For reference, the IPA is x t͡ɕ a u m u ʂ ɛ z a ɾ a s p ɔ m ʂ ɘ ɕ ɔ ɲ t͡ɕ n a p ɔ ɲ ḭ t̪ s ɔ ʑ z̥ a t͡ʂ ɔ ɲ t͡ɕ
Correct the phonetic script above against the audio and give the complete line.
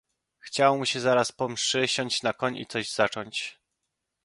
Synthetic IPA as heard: x t͡ɕ a w m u ɕ ɛ z a ɾ a s p ɔ m ʂ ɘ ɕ ɔ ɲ t͡ɕ n a k ɔ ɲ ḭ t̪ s ɔ ʑ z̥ a t͡ʂ ɔ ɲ t͡ɕ